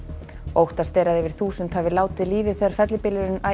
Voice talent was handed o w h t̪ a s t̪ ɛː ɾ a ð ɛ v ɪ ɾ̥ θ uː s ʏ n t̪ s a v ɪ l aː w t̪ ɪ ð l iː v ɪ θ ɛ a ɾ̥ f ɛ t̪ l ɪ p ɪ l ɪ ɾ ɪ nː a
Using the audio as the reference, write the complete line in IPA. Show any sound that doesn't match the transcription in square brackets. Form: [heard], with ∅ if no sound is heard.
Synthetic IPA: o w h t̪ a s t̪ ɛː ɾ a ð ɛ v ɪ ɾ̥ θ uː s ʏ n t̪ [h] a v ɪ l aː w t̪ ɪ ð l iː v ɪ θ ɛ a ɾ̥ f ɛ t̪ l ɪ p ɪ l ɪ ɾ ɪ [n] a